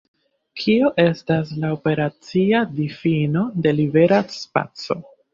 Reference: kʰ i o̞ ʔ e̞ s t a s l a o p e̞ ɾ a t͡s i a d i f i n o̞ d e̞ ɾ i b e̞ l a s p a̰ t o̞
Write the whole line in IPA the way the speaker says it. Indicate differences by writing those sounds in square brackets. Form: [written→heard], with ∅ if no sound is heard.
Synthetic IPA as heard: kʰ i o̞ ʔ e̞ s t a s l a o p e̞ ɾ a t͡s i a d i f i n o̞ d e̞ [ɾ→l] i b e̞ [l→ɾ] a s p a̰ [t→t͡s] o̞